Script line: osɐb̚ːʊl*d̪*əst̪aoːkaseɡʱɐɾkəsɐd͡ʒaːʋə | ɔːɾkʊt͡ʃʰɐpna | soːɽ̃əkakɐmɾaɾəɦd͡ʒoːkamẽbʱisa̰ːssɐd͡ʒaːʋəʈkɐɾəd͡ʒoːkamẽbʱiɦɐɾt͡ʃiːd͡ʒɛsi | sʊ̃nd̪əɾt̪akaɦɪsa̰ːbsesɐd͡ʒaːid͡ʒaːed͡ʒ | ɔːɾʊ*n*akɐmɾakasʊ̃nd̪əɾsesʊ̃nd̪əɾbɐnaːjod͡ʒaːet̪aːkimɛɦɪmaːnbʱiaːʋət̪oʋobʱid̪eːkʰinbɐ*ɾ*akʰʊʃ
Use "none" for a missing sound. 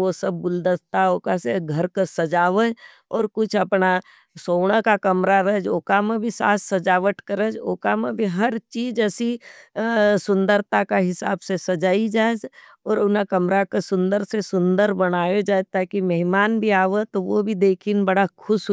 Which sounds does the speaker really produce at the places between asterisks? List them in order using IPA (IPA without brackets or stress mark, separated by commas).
d̪, n, ɽ